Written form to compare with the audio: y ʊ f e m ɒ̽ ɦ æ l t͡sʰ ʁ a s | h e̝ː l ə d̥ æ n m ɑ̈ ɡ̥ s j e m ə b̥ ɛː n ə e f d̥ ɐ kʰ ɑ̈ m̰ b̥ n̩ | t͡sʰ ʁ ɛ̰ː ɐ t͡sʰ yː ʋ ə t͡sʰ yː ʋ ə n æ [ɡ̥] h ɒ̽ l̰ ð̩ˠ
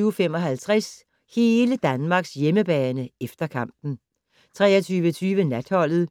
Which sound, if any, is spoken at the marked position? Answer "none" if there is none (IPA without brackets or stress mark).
d̥